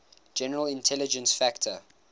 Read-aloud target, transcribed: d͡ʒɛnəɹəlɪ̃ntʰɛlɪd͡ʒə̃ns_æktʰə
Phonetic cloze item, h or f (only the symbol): f